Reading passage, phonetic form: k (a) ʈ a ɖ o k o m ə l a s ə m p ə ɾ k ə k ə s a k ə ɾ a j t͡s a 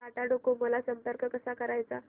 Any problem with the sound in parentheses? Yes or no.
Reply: no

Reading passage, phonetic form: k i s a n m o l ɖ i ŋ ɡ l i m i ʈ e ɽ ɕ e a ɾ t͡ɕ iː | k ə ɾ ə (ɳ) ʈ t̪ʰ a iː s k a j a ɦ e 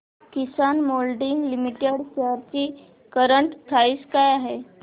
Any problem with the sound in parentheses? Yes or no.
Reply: no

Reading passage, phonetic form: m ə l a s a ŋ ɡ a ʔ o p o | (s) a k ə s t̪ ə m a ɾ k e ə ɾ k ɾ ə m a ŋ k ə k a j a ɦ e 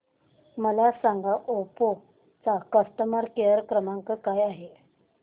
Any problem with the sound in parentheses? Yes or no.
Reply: yes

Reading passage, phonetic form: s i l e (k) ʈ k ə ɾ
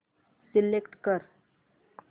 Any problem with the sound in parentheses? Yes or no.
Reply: no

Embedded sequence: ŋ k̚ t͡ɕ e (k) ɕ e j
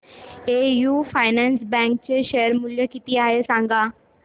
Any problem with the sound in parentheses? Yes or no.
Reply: yes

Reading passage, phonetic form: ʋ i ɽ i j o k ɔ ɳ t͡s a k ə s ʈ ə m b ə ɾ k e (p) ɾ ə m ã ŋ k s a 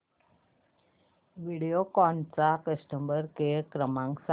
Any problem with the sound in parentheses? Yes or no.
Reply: yes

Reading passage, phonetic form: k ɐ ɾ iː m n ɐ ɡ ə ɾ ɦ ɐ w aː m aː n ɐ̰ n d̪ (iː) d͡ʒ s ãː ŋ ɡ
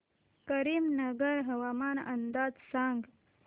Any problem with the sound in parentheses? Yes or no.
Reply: yes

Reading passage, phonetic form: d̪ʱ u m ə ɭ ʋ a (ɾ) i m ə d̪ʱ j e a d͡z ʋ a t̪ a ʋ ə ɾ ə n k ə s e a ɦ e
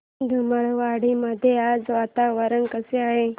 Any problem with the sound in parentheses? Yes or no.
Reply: yes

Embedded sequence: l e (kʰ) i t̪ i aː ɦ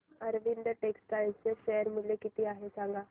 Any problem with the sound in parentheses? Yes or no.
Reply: yes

